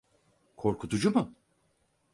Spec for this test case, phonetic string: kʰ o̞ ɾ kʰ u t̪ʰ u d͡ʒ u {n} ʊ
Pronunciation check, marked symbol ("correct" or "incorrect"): incorrect